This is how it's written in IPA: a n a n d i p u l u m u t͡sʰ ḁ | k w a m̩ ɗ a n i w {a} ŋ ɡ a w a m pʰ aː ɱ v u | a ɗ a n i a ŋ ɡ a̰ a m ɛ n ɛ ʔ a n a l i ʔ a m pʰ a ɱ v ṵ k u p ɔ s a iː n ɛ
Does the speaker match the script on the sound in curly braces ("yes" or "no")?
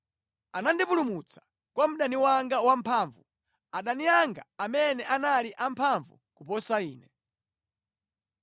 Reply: yes